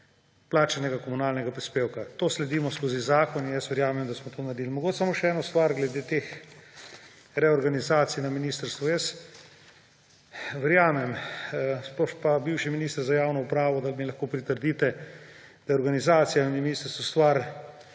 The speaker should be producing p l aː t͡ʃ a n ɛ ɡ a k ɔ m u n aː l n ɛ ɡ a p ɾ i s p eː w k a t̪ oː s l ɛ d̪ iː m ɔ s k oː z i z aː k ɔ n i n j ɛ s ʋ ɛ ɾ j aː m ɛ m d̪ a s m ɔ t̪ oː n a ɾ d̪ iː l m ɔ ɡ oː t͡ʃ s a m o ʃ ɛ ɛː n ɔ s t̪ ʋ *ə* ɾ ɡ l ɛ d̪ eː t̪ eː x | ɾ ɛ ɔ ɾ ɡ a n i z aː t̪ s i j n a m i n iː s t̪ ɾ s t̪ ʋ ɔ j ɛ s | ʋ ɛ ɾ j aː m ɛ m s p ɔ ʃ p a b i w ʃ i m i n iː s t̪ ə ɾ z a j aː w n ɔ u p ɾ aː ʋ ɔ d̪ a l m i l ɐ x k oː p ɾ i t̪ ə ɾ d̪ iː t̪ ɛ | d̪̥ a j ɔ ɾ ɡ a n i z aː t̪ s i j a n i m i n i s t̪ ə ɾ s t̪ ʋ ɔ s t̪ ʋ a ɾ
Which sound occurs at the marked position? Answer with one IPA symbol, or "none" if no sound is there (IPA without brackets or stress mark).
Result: a